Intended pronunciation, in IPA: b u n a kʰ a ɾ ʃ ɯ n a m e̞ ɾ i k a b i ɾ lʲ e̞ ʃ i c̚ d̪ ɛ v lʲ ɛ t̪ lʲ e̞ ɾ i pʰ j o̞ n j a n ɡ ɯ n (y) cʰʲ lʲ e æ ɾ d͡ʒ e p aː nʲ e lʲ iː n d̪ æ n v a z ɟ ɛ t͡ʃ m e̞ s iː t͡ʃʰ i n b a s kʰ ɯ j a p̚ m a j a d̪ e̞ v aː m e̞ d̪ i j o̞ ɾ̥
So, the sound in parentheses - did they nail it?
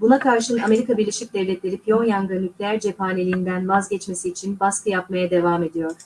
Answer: yes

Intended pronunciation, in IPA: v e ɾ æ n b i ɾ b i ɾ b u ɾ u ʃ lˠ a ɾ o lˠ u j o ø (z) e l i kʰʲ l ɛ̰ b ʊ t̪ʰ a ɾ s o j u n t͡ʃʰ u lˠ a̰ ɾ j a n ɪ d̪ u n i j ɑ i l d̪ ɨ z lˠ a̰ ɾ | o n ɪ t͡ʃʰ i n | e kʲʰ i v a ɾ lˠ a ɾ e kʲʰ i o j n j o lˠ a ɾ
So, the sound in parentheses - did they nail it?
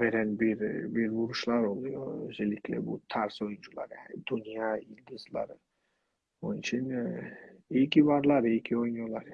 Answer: yes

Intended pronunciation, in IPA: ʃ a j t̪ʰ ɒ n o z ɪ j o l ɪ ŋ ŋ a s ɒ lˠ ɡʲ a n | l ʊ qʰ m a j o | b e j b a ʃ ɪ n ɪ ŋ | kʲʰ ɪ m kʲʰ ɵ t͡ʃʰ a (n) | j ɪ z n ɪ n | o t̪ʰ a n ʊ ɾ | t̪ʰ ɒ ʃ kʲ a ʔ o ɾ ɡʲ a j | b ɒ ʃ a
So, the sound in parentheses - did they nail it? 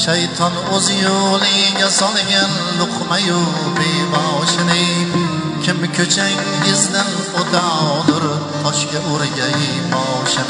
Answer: no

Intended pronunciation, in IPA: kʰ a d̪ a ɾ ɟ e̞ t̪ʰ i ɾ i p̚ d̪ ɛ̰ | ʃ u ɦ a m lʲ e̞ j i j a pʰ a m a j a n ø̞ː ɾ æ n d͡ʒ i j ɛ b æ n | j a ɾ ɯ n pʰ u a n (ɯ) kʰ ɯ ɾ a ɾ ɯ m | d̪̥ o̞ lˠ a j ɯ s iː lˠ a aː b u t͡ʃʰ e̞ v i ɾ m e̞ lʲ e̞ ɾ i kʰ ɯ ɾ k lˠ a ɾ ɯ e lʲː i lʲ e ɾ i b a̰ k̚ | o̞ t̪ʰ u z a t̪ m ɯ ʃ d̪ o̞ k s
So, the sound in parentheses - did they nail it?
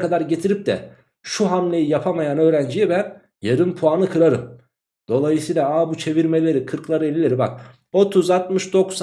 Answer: yes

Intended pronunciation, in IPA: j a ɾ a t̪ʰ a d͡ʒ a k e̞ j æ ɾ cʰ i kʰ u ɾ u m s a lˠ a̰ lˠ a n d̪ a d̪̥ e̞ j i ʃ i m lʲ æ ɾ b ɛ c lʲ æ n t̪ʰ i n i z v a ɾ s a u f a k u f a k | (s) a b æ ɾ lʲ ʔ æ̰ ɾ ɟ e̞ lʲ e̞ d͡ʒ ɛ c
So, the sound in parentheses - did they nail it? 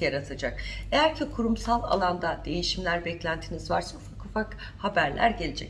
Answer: no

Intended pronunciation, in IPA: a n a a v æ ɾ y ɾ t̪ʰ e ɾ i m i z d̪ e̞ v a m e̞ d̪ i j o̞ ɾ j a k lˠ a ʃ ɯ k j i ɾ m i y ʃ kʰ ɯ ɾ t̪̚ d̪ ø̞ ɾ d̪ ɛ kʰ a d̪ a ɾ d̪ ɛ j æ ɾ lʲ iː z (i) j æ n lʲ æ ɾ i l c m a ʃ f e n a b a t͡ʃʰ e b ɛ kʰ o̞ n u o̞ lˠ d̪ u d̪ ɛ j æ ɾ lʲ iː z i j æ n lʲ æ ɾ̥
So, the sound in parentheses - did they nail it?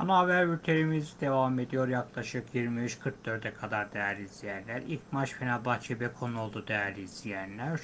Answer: yes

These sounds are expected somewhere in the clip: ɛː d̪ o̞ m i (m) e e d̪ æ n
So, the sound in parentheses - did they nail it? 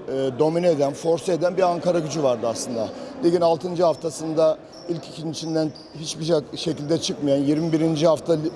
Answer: no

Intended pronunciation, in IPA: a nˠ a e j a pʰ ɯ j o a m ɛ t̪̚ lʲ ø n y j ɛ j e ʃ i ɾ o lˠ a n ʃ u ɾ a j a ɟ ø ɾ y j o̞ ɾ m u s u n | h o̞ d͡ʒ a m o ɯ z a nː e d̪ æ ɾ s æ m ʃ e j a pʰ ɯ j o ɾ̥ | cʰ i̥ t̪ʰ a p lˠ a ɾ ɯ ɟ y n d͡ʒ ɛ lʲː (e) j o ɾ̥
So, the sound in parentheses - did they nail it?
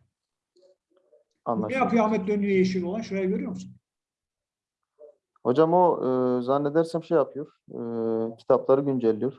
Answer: no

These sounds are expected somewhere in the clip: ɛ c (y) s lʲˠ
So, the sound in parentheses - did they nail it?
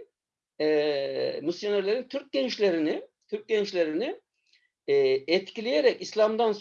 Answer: no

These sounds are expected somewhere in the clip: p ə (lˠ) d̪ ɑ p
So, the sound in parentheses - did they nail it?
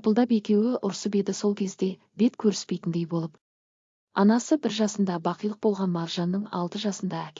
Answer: yes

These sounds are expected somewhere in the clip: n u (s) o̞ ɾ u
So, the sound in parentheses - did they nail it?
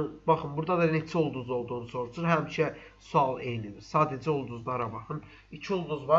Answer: yes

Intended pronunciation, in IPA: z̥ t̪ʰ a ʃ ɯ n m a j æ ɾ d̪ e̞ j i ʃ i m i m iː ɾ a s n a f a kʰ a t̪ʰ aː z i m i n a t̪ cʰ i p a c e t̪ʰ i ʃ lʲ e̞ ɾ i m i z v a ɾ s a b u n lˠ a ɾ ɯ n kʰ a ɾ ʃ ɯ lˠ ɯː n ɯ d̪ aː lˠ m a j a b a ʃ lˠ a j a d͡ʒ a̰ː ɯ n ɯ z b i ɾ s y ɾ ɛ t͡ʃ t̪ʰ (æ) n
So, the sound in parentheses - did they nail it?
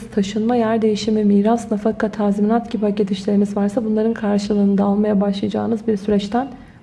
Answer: yes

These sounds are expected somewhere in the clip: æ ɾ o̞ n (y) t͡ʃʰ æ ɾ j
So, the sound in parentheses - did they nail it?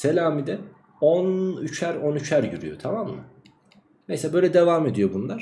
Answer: yes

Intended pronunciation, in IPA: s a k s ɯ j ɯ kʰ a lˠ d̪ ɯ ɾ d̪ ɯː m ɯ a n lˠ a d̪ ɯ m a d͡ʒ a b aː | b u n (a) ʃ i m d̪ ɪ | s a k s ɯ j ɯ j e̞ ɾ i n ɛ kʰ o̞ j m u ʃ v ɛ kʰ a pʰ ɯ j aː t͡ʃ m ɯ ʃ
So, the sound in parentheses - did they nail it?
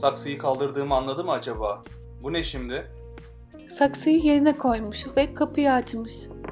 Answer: no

